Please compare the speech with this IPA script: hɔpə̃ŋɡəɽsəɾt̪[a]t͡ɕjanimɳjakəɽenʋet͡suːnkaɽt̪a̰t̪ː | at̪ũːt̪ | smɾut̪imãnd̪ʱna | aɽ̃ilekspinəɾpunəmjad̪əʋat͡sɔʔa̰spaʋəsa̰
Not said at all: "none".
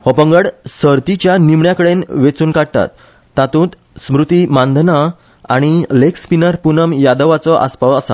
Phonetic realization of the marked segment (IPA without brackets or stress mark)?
i